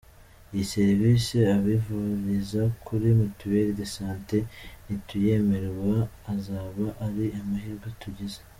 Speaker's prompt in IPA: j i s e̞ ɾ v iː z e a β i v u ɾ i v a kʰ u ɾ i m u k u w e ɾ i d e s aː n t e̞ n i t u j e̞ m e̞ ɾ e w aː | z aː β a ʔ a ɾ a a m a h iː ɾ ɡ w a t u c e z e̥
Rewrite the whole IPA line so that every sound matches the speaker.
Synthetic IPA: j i s e̞ ɾ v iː s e a β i v u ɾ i z a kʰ u ɾ i m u t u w e ɾ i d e s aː n t e̞ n i t u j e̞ m e̞ ɾ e w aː | z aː β a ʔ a ɾ i a m a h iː ɾ ɡ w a t u ɟ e z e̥